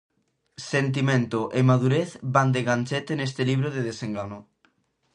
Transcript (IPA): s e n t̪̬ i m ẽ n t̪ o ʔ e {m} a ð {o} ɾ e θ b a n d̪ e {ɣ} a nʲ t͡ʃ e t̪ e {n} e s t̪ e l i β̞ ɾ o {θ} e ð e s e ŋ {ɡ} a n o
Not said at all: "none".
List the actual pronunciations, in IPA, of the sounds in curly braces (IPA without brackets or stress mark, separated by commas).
m, u, ɣ, n, ð, ɡ